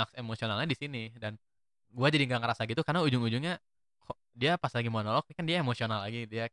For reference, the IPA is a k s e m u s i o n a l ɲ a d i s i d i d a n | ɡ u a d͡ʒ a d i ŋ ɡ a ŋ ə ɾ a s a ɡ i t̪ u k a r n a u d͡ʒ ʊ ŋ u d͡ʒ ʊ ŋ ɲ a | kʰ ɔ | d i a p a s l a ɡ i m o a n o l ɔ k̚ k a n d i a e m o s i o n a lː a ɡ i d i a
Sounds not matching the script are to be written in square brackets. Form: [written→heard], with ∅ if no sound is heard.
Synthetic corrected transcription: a k s e m [u→o] s i o n a l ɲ a d i s i [d→n] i d a n | ɡ u a d͡ʒ a d i ŋ ɡ a ŋ ə ɾ a s a ɡ i t̪ u k a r n a u d͡ʒ ʊ ŋ u d͡ʒ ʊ ŋ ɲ a | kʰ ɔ | d i a p a s l a ɡ i m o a n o l ɔ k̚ k a n d i a e m o s i o n a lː a ɡ i d i a